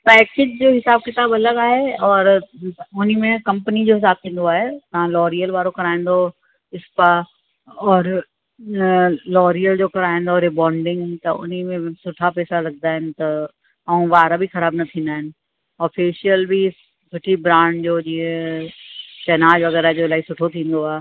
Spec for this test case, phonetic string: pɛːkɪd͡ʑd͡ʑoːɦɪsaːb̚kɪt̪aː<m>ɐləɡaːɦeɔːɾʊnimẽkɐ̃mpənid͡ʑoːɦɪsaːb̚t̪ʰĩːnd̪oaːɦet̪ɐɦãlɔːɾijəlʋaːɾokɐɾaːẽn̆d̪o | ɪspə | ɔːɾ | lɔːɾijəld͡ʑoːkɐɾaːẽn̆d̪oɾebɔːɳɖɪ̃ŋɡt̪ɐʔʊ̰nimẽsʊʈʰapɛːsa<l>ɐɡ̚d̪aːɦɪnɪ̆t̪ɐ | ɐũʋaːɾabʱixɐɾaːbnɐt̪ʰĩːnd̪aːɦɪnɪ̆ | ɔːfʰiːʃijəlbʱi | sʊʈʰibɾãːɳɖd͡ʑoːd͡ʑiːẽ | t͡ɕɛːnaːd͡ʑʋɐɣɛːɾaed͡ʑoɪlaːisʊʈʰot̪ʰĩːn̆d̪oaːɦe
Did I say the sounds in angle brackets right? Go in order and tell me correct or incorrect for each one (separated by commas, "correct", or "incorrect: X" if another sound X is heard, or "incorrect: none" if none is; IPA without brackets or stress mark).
incorrect: b, correct